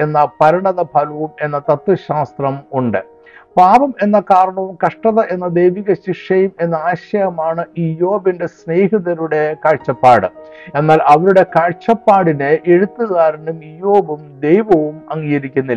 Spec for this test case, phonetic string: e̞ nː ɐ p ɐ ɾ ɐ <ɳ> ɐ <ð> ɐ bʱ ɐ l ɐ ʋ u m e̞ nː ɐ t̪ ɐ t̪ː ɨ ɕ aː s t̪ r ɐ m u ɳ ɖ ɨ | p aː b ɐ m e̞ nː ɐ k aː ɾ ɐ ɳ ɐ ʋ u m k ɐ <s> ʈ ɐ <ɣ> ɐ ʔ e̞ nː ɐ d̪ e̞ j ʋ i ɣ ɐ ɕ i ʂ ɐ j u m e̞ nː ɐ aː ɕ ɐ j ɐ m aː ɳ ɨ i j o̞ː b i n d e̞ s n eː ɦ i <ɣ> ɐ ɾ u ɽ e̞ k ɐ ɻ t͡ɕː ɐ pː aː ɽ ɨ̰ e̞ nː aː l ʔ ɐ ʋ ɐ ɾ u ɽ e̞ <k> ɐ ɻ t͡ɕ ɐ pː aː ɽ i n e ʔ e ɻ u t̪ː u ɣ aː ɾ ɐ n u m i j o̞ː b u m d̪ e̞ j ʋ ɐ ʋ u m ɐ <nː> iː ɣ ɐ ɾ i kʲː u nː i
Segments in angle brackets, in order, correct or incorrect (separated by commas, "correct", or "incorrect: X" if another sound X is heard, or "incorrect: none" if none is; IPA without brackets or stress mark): correct, correct, incorrect: ʂ, incorrect: ð, incorrect: ð, correct, incorrect: ŋː